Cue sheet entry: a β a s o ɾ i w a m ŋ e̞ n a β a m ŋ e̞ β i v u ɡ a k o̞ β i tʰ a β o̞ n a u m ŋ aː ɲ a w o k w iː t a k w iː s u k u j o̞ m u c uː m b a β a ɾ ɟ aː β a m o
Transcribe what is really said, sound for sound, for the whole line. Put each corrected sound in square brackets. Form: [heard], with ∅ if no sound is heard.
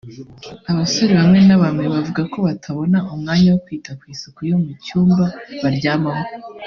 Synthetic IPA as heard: a β a s o ɾ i [β] a m ŋ e̞ n a β a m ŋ e̞ β [a] v u ɡ a k o̞ β [a] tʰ a β o̞ n a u m ŋ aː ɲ a w o k w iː t a k w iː s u k u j o̞ m u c uː m b a β a ɾ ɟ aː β a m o